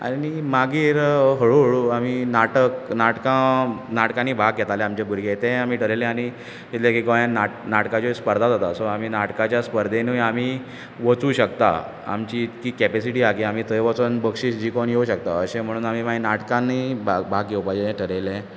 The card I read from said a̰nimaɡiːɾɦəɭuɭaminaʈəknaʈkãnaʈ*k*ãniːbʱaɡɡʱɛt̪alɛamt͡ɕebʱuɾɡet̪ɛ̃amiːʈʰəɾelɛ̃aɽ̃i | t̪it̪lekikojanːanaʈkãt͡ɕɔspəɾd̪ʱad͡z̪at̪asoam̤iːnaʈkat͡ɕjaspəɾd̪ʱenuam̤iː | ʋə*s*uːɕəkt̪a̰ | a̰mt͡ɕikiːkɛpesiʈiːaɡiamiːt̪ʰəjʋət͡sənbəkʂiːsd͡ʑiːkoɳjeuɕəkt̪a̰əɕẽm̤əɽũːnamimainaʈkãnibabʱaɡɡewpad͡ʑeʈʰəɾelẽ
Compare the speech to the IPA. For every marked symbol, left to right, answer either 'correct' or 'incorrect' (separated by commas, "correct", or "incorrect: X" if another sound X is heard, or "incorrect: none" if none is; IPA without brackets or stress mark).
correct, incorrect: t͡s